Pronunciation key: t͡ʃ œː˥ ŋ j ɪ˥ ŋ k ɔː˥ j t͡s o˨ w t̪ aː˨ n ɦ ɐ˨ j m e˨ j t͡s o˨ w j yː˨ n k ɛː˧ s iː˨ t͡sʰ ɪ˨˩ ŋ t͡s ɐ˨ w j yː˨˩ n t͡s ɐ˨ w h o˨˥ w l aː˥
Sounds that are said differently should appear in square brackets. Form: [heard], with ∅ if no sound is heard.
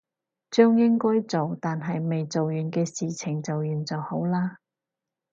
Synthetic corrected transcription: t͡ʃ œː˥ ŋ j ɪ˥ ŋ k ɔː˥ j t͡s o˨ w t̪ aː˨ n ɦ ɐ˨ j m e˨ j t͡s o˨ w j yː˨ n k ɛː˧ s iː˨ t͡sʰ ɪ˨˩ ŋ t͡s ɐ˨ w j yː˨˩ n t͡s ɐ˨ w h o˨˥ w l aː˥